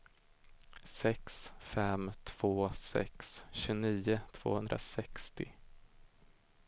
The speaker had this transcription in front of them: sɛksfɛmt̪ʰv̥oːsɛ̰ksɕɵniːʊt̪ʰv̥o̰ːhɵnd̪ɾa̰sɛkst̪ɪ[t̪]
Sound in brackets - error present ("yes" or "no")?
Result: yes